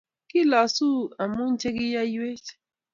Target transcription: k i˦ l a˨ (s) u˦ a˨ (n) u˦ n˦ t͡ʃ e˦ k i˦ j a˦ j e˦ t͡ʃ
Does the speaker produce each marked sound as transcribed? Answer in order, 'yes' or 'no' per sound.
yes, no

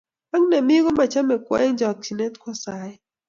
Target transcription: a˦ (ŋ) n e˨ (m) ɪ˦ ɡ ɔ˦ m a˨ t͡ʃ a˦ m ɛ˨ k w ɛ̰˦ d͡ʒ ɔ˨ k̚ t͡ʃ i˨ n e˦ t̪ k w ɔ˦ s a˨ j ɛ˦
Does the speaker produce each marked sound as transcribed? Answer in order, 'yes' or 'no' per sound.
yes, yes

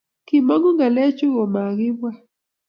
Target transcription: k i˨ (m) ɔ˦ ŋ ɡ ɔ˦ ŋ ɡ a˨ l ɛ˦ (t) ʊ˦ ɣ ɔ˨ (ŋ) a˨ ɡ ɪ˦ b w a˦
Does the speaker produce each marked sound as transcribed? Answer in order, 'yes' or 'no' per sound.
yes, no, no

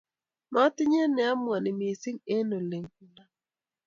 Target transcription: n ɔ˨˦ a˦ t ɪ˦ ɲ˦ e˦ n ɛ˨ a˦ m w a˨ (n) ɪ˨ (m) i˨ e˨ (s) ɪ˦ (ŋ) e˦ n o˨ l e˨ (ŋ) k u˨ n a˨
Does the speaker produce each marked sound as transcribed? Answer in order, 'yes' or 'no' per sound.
yes, yes, yes, yes, yes

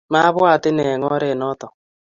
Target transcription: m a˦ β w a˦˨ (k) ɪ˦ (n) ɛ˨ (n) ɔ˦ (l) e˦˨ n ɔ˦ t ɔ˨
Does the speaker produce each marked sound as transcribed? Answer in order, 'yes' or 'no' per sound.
no, yes, no, no

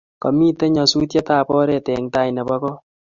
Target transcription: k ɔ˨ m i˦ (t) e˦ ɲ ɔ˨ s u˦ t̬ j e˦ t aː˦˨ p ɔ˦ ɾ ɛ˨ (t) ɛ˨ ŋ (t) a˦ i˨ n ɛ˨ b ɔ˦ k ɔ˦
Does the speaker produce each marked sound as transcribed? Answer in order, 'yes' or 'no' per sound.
yes, yes, yes

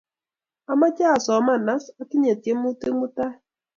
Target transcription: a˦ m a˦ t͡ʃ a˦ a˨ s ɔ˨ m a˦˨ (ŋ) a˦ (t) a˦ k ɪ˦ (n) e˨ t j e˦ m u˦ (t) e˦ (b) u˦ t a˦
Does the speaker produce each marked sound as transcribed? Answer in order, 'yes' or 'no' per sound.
no, no, no, yes, no

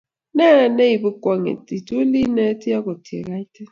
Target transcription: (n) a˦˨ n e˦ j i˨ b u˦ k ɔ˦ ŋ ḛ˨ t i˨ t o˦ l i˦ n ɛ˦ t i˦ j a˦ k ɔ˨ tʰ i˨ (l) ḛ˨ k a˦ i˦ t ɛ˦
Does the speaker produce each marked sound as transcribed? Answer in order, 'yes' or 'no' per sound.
yes, no

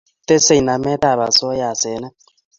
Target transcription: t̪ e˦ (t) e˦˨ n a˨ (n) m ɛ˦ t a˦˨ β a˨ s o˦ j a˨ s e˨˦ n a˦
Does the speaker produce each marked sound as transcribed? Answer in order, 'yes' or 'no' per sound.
no, no

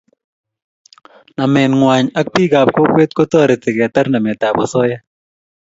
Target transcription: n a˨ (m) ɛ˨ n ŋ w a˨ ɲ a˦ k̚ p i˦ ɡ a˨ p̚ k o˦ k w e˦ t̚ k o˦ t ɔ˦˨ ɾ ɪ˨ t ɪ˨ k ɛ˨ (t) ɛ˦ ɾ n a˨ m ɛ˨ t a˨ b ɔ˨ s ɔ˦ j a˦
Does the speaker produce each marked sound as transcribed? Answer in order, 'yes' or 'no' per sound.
yes, yes

